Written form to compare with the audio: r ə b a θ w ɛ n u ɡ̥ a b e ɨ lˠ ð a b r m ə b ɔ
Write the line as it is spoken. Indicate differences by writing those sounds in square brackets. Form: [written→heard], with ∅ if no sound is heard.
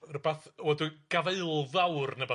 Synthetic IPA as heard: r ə b a θ w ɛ [n→d] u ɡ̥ a [b→v] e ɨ lˠ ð a [b→w] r [m→n] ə b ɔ